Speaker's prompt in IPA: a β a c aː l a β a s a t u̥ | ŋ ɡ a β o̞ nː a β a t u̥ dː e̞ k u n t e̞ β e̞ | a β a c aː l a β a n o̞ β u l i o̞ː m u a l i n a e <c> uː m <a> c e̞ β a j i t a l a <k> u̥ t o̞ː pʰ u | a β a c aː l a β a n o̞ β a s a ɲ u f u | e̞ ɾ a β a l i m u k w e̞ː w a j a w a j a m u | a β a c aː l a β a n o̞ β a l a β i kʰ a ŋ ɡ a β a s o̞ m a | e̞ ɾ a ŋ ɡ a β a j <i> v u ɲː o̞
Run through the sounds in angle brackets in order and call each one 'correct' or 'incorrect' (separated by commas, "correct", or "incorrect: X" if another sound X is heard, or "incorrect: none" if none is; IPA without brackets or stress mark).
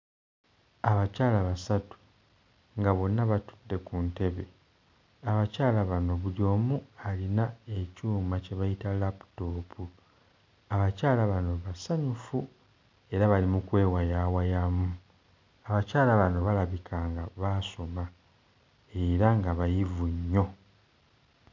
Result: correct, correct, incorrect: p, correct